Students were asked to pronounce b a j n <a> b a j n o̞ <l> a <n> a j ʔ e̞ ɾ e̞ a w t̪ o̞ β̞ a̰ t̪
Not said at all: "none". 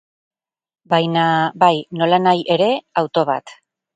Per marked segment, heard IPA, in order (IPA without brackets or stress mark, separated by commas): a, l, n